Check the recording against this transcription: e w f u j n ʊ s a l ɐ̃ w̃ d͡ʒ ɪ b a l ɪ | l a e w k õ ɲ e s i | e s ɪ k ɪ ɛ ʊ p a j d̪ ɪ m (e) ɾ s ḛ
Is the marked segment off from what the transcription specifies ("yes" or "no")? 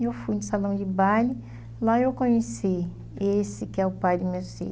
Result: no